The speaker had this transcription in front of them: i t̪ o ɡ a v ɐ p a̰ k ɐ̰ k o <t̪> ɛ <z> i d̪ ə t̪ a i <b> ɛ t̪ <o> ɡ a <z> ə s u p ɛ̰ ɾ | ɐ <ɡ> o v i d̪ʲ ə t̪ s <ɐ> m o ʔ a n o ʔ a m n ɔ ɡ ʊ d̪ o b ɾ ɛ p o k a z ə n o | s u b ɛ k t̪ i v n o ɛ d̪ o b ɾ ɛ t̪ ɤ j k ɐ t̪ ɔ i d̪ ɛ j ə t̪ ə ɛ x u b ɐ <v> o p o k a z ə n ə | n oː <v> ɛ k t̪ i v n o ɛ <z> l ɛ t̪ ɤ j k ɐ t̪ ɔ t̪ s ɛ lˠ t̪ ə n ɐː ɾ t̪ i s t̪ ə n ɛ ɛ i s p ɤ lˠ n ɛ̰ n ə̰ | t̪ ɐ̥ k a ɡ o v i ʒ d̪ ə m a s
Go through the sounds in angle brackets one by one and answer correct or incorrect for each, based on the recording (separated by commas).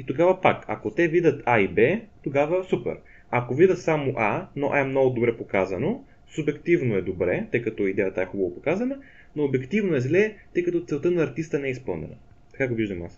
correct, incorrect, correct, correct, incorrect, incorrect, incorrect, correct, incorrect, correct